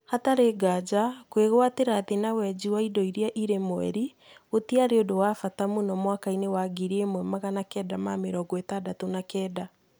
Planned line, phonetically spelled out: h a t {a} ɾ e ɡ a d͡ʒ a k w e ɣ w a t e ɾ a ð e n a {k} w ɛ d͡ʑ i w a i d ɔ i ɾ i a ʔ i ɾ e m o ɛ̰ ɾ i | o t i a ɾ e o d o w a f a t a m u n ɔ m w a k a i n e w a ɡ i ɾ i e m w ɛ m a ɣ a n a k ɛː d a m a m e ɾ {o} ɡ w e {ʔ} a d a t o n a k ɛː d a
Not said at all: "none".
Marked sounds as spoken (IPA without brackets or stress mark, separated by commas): a, none, ɔ, t